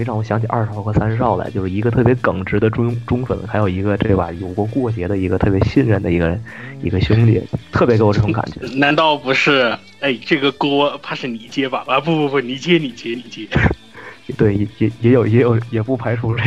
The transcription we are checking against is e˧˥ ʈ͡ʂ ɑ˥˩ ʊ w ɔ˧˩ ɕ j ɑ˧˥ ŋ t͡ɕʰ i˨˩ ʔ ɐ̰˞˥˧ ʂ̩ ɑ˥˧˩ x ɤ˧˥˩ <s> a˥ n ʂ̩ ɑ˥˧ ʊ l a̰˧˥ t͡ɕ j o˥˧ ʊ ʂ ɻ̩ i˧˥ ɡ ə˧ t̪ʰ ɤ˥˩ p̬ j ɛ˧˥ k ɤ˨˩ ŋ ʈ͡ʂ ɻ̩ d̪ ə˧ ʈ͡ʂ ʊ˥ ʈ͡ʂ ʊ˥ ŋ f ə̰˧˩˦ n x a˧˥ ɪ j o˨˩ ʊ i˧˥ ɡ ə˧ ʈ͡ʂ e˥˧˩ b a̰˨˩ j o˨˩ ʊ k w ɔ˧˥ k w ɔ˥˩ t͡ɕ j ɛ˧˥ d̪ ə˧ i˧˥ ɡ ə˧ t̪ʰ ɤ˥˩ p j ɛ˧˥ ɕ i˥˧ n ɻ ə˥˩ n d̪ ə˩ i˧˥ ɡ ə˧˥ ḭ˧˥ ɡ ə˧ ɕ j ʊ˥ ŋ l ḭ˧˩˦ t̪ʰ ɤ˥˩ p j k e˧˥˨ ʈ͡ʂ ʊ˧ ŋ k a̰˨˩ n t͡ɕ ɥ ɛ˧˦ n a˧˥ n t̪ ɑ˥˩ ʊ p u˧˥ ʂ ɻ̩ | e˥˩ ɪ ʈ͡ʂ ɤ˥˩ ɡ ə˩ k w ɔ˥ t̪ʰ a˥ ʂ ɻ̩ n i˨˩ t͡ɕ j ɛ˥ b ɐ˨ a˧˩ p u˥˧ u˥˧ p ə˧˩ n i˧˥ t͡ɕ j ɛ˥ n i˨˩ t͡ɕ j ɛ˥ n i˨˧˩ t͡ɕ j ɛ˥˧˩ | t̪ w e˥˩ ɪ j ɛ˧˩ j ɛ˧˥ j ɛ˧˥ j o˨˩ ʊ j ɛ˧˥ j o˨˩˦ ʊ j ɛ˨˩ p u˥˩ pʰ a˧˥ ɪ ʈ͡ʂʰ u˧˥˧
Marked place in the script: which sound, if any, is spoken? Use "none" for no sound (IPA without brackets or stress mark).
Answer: s